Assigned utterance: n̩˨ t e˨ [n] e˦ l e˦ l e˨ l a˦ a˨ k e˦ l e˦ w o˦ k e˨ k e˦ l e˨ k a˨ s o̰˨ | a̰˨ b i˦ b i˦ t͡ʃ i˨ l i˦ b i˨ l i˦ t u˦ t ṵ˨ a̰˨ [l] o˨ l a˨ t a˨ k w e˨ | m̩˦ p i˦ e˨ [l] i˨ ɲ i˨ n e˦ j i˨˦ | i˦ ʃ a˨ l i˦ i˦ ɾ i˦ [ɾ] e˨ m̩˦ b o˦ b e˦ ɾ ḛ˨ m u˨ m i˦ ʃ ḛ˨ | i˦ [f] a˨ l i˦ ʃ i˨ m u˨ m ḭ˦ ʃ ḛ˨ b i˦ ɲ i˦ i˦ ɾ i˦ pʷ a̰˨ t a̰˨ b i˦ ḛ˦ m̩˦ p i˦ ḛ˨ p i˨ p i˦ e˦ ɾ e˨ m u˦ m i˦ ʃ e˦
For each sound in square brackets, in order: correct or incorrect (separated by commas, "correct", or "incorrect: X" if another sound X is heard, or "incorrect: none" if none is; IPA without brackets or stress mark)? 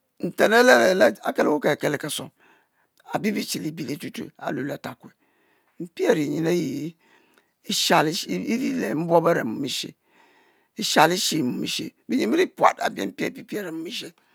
correct, correct, incorrect: ɾ, incorrect: l, incorrect: ʃ